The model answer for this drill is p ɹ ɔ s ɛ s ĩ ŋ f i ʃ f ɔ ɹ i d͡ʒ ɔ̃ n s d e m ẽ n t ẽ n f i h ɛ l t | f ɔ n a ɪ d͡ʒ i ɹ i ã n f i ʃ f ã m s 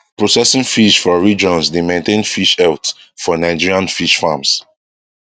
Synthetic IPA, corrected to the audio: p ɹ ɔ s ɛ s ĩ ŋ f i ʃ f ɔ ɹ i d͡ʒ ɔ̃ n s d e m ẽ n t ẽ n f i ʃ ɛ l t | f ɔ n a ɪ d͡ʒ i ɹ i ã n f i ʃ f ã m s